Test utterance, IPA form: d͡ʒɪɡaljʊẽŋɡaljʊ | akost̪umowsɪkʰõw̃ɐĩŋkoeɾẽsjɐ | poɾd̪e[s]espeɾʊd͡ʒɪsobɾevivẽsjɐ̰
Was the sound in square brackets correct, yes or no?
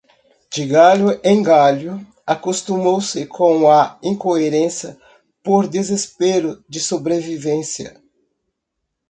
no